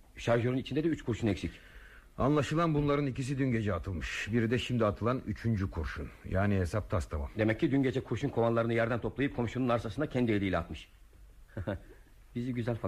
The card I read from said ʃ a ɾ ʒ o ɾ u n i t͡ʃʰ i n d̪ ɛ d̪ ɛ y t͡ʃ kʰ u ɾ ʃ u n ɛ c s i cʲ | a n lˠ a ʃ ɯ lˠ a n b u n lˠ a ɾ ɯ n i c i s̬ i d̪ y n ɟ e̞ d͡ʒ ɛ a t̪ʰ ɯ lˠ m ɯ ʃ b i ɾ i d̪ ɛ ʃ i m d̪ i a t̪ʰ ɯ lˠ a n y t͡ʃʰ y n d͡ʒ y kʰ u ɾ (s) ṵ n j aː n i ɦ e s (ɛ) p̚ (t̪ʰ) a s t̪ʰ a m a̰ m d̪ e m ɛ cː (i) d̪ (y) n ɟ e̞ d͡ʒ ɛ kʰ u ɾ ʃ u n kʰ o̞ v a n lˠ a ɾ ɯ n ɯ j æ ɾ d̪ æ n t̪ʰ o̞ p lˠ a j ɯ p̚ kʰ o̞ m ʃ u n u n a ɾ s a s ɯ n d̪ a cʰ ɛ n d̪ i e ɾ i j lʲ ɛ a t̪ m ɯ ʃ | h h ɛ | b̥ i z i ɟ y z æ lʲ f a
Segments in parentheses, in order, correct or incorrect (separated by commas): incorrect, incorrect, correct, correct, correct